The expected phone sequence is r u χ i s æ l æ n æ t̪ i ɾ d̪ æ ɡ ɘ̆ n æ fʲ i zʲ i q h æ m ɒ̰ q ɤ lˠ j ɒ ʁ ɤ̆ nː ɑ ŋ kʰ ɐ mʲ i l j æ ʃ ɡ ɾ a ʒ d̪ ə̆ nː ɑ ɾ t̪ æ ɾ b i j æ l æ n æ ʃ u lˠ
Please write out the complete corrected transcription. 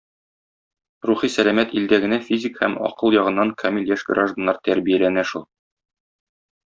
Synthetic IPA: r u χ i s æ l æ m æ t̪ i l d̪ æ ɡ ɘ̆ n æ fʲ i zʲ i k h æ m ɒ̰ q ɤ lˠ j ɒ ʁ ɤ̆ nː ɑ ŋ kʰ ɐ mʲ i l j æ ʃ ɡ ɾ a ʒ d̪ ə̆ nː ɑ ɾ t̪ æ ɾ b i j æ l æ n æ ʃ u lˠ